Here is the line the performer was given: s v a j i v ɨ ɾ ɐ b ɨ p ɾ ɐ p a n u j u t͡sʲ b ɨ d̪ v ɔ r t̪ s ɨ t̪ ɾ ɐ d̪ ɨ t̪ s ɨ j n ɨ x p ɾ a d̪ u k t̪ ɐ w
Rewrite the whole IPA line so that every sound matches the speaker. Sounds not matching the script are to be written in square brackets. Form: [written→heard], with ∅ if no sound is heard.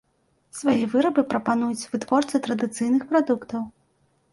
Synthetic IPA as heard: s v a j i v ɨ ɾ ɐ b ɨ p ɾ ɐ p a n u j u t͡sʲ [b→v] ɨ [d̪→t̪] v ɔ r t̪ s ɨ t̪ ɾ ɐ d̪ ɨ t̪ s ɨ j n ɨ x p ɾ a d̪ u k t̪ ɐ w